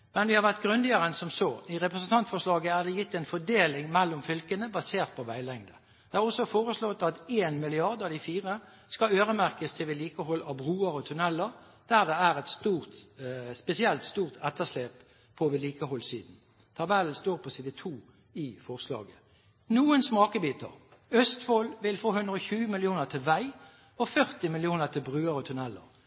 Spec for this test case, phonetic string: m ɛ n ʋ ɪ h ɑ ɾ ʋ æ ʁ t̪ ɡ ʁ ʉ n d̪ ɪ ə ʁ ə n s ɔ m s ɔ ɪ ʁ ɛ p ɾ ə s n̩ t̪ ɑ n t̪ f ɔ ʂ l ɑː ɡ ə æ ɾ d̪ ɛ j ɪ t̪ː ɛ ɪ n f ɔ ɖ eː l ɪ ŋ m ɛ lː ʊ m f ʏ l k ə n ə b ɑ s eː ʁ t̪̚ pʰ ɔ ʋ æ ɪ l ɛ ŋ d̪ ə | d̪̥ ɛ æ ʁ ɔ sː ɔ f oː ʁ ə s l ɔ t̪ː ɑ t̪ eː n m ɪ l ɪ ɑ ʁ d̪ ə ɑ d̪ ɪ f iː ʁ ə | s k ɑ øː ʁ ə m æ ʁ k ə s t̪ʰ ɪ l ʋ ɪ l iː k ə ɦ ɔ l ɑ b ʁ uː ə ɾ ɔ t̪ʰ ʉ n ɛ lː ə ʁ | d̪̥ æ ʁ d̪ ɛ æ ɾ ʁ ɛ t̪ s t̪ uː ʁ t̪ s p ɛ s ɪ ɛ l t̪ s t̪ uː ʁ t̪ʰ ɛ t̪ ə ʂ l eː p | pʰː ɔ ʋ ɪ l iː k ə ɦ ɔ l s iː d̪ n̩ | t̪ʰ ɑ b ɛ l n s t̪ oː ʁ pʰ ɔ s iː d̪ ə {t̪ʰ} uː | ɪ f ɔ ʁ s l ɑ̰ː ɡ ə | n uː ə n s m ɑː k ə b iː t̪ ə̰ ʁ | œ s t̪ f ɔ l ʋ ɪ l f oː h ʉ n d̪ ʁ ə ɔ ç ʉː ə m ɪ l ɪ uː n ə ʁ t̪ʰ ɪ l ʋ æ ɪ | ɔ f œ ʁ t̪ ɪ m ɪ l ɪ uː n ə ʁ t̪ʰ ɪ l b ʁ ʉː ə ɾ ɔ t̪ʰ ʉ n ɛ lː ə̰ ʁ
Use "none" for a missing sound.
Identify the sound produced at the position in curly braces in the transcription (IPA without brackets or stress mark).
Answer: t̪ʰ